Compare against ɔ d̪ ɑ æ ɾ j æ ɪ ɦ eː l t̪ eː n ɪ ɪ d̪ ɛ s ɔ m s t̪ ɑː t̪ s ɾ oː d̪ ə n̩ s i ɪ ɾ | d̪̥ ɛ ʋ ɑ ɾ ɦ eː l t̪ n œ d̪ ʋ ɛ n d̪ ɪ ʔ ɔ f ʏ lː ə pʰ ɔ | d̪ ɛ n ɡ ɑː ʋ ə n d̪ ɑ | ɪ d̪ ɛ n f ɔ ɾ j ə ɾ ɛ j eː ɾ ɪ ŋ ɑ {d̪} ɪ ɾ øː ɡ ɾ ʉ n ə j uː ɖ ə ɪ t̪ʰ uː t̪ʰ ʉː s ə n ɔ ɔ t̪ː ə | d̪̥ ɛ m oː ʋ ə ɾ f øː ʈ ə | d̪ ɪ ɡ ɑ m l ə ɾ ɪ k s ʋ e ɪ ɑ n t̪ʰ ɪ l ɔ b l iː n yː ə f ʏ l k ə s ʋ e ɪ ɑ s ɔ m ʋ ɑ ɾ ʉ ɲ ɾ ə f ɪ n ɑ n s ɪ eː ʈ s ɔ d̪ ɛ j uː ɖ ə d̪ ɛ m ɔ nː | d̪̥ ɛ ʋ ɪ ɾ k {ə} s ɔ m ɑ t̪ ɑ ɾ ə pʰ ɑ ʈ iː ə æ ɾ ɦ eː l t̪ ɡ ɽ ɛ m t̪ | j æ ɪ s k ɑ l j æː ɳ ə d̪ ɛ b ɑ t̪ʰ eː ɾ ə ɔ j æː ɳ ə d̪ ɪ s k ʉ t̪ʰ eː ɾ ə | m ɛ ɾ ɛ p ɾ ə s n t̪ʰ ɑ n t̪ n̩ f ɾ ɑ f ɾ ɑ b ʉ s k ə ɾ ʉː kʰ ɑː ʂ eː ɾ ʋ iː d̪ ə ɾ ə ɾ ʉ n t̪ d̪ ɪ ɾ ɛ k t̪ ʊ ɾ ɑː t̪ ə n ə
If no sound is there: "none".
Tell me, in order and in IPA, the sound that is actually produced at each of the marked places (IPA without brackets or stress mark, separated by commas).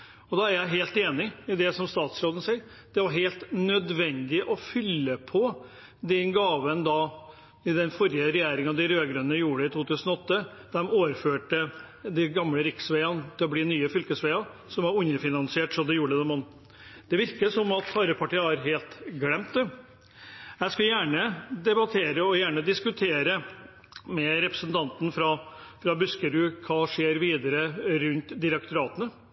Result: d̪, ə